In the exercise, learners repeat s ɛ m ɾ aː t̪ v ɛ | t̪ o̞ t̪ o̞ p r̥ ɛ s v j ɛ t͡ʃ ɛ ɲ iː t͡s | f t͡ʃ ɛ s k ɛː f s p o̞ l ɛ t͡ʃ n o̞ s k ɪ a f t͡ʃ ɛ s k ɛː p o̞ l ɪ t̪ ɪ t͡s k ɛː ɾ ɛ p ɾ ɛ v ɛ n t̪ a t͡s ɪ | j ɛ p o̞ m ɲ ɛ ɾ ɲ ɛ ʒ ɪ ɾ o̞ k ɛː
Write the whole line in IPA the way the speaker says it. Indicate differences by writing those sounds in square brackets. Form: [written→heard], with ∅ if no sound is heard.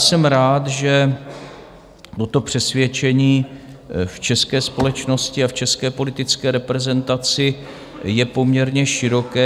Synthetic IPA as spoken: s ɛ m ɾ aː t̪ [v→ʒ] ɛ | t̪ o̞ t̪ o̞ p r̥ ɛ s v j ɛ t͡ʃ ɛ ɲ iː [t͡s→∅] | f t͡ʃ ɛ s k ɛː [f→∅] s p o̞ l ɛ t͡ʃ n o̞ s [k→c] ɪ a f t͡ʃ ɛ s k ɛː p o̞ l ɪ t̪ ɪ t͡s k ɛː ɾ ɛ p ɾ ɛ [v→z] ɛ n t̪ a t͡s ɪ | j ɛ p o̞ m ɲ ɛ ɾ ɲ ɛ [ʒ→ʃ] ɪ ɾ o̞ k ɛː